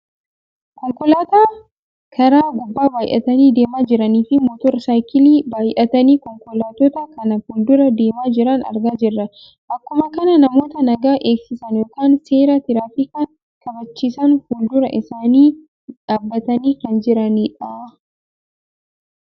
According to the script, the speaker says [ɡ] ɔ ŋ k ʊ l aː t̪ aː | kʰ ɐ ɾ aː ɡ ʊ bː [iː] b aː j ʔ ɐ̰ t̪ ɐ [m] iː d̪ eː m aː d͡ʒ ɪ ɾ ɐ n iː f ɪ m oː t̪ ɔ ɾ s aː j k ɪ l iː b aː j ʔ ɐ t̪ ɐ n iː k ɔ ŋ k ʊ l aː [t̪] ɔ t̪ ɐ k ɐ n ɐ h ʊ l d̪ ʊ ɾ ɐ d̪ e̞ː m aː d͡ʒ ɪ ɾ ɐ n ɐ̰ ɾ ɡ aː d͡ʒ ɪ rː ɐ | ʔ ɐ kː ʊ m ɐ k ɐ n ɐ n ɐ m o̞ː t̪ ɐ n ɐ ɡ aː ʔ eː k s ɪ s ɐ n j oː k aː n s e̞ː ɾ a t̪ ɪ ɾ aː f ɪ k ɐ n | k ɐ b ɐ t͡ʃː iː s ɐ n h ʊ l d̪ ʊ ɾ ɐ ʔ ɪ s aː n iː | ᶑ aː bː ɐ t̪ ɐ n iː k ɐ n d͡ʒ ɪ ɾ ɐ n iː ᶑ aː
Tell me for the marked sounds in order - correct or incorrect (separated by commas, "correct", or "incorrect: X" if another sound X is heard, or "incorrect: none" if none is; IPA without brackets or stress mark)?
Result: incorrect: k, incorrect: aː, incorrect: n, correct